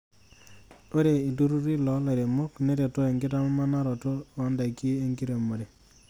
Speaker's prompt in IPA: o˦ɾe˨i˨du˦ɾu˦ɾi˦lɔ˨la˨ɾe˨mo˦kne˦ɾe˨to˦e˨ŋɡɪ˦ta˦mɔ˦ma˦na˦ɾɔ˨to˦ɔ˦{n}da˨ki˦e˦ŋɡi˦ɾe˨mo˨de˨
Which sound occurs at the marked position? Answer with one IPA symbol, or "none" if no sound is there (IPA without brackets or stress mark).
n